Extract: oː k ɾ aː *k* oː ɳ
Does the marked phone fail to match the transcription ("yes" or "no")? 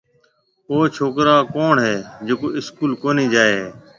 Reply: no